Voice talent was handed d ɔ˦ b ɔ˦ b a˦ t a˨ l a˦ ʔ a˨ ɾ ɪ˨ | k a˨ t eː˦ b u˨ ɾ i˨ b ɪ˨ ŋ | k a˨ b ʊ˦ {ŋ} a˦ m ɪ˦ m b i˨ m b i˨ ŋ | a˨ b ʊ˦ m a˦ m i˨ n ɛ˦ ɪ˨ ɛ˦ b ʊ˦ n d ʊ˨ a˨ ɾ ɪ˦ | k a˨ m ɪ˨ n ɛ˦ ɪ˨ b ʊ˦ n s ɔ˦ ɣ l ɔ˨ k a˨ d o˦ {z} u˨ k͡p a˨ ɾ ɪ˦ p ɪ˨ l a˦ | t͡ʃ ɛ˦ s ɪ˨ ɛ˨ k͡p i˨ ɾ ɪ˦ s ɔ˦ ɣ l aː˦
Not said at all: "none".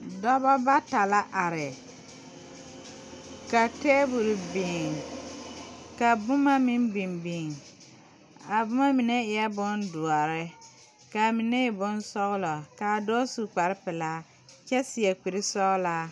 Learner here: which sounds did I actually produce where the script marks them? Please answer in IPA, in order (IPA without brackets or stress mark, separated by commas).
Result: m, s